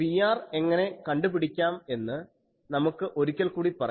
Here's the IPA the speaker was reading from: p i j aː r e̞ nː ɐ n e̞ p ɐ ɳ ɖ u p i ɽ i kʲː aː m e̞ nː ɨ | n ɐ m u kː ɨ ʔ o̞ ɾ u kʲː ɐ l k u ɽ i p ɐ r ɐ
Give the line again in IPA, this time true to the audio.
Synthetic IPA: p i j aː r e̞ ŋː ɐ n e̞ k ɐ ɳ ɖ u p i ɽ i kʲː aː m e̞ nː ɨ | n ɐ m u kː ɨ ʔ o̞ ɾ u kʲː ɐ l k uː ɽ i p ɐ r ɐ